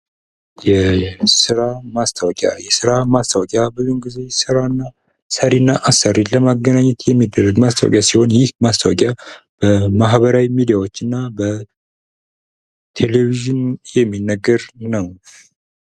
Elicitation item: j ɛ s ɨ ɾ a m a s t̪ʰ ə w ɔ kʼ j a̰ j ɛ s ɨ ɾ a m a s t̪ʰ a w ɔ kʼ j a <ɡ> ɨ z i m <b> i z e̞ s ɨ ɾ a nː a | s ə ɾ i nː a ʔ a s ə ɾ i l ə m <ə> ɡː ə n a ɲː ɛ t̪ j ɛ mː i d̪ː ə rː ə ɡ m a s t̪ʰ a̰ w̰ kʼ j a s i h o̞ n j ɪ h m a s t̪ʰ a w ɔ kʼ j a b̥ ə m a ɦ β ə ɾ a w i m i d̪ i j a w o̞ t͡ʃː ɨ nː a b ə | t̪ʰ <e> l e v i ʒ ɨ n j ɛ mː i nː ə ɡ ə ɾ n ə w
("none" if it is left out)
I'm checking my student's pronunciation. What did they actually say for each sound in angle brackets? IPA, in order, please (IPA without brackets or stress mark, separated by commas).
b, ɡ, a, e